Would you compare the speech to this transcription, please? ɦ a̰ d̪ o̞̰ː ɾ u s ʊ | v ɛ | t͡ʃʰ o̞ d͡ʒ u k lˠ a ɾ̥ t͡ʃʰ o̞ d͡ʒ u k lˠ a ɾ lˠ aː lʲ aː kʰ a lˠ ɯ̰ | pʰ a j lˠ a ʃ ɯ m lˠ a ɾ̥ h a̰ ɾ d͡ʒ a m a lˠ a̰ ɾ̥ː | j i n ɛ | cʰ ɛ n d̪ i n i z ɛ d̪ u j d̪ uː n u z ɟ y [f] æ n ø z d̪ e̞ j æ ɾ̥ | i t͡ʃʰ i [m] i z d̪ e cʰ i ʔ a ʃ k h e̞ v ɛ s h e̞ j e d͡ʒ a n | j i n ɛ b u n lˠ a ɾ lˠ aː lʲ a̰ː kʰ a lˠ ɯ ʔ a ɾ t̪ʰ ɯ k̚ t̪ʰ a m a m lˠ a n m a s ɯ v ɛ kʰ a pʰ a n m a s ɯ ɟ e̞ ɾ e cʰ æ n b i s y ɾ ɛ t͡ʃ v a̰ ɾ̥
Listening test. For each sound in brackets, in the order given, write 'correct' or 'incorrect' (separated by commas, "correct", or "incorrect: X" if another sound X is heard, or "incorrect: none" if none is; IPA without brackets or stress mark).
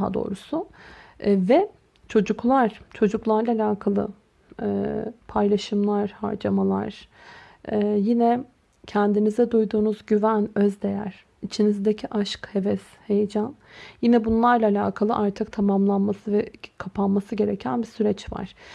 incorrect: v, incorrect: n